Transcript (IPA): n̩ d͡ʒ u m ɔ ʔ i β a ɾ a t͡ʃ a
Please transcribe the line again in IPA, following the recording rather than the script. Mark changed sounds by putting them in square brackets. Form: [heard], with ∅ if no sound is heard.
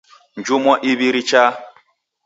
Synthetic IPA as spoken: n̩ d͡ʒ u m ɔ ʔ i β [i] ɾ [i] t͡ʃ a